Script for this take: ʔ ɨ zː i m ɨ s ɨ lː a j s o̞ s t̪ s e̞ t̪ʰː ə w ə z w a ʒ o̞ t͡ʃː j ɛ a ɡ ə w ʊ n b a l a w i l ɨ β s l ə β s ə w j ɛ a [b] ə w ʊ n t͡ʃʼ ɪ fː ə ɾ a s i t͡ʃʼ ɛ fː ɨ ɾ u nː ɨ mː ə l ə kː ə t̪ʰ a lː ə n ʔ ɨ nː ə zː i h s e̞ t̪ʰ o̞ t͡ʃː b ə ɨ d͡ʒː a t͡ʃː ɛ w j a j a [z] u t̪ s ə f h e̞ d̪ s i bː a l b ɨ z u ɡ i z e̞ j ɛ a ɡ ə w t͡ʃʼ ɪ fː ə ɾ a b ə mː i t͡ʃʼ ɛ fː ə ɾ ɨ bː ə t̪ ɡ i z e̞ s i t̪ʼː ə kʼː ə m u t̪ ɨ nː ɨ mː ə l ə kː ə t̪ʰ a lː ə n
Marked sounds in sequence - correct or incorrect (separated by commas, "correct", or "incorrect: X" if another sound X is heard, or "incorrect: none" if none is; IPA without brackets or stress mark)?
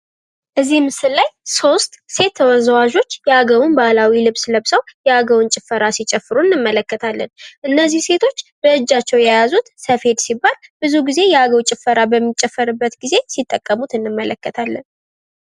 incorrect: ɡ, correct